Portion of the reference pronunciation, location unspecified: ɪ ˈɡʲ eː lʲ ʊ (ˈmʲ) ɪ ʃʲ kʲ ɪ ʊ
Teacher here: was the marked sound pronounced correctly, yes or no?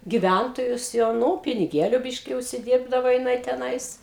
no